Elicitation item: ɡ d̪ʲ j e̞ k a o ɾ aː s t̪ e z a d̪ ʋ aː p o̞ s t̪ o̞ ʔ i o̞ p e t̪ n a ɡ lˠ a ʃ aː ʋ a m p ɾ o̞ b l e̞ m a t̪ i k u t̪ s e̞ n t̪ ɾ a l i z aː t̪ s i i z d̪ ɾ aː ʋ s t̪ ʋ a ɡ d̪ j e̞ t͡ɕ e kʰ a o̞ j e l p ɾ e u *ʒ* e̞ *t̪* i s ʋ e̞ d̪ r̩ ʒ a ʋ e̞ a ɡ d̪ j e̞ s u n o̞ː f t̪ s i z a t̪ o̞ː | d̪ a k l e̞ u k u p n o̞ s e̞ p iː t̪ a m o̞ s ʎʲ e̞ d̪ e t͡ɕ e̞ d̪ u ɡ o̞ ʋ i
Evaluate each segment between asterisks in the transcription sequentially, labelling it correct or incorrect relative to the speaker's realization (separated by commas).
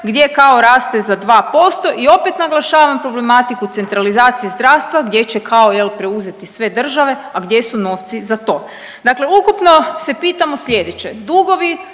incorrect, correct